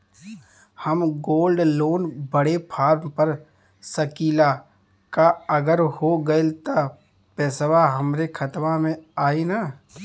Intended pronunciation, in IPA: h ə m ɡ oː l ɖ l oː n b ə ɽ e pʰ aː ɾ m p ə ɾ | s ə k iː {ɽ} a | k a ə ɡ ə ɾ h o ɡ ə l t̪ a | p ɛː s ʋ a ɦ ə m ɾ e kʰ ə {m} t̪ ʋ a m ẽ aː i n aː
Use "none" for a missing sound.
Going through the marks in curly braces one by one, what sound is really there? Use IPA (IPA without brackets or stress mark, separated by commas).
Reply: l, none